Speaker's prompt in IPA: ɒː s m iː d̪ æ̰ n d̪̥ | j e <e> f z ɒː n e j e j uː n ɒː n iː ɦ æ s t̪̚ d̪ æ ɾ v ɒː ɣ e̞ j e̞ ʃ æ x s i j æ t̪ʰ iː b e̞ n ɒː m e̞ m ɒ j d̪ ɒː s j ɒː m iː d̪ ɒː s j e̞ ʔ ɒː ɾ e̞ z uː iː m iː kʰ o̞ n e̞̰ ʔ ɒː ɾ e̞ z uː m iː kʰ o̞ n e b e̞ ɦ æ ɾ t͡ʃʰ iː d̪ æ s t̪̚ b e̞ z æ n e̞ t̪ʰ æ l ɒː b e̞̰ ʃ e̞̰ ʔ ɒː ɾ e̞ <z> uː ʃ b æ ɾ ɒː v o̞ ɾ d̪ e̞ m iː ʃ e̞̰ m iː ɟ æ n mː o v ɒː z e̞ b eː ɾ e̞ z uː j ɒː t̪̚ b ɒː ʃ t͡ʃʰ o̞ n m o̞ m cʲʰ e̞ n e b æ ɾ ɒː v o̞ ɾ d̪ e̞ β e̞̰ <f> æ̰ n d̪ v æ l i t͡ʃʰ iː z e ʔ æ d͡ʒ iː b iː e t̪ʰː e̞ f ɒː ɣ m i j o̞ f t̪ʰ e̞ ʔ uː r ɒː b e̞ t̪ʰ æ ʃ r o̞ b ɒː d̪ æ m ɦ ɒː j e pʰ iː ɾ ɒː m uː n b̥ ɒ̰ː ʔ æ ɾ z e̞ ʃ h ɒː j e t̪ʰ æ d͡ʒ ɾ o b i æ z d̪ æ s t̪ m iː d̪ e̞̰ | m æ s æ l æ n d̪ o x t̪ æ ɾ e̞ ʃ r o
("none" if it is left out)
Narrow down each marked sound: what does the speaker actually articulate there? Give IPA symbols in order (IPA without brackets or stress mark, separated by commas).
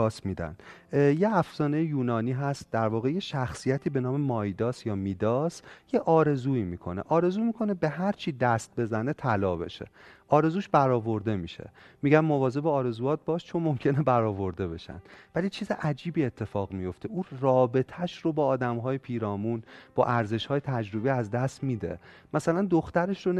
æ, z, ʃ